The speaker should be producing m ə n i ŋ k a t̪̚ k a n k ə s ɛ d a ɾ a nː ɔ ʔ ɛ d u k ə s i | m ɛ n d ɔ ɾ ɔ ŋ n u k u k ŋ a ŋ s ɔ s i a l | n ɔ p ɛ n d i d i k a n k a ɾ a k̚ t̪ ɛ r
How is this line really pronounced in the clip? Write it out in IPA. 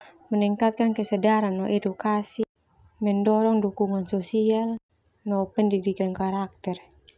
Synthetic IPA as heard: m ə n i ŋ k a t̪̚ k a n k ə s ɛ d a ɾ a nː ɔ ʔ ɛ d u k a s i | m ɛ n d ɔ ɾ ɔ ŋ d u k u ŋ a n s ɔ s i a l | n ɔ p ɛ n d i d i k a n k a ɾ a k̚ t̪ ɛ r